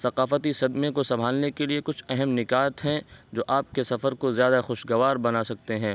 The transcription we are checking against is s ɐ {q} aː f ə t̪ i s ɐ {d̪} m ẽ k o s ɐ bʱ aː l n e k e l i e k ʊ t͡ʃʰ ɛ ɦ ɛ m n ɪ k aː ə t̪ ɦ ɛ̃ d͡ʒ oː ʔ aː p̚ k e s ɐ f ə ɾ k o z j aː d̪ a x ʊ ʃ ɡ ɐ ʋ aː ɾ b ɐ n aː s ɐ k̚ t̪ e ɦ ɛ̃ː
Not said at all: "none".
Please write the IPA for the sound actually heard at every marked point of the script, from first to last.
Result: q, d̪

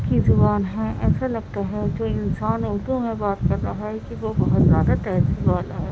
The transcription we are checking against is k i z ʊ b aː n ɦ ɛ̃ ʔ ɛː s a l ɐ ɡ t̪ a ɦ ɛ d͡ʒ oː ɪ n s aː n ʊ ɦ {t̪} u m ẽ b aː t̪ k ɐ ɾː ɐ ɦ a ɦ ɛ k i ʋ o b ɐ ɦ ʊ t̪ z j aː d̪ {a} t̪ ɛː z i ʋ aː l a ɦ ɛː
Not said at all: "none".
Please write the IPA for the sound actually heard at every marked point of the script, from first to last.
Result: d̪, a

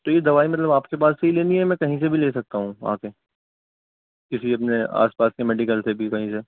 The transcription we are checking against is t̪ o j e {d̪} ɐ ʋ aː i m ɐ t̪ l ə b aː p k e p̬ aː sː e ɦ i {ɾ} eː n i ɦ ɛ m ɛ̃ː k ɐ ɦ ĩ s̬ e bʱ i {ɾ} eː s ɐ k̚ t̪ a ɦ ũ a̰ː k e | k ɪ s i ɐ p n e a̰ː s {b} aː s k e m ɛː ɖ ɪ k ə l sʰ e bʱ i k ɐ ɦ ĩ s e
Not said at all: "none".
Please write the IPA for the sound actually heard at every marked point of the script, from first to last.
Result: d̪, l, l, p

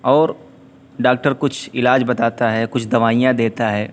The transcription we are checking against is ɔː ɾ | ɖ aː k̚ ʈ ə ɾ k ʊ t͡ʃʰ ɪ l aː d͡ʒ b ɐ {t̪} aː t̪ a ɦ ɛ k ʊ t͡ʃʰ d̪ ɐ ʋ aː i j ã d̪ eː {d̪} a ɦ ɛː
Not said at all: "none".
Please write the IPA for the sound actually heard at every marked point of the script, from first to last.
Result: t̪, t̪

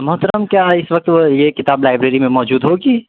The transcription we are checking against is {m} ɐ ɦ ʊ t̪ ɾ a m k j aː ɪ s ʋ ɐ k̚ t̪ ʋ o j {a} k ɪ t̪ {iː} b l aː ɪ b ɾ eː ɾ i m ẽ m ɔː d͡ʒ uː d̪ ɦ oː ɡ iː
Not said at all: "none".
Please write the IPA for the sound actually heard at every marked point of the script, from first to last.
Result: m, e, aː

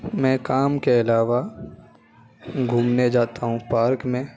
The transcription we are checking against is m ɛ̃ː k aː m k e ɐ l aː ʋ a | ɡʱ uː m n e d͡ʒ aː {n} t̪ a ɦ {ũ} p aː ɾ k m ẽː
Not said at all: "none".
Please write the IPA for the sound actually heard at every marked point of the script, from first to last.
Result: none, ũ

